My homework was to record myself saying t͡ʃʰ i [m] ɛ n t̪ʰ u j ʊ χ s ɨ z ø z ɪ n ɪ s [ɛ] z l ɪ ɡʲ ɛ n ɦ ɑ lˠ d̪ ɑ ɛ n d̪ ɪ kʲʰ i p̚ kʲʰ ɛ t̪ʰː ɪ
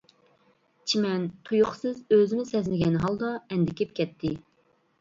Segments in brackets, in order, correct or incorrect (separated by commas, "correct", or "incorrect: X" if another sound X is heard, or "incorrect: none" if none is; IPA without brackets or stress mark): correct, correct